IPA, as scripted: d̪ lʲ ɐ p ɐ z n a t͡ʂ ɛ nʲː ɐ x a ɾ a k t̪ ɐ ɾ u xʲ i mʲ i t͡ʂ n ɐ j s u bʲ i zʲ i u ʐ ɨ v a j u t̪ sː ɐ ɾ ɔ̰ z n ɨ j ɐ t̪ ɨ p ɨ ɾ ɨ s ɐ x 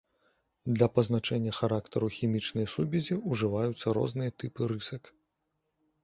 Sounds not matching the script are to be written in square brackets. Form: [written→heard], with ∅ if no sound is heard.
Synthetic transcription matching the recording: d̪ lʲ ɐ p ɐ z n a t͡ʂ ɛ nʲː ɐ x a ɾ a k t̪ ɐ ɾ u xʲ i mʲ i t͡ʂ n ɐ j s u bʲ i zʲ i u ʐ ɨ v a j u t̪ sː ɐ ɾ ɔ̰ z n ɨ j ɐ t̪ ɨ p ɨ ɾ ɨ s ɐ [x→k]